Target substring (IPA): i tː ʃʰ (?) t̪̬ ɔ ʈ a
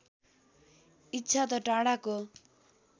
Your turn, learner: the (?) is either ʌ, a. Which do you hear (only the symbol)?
a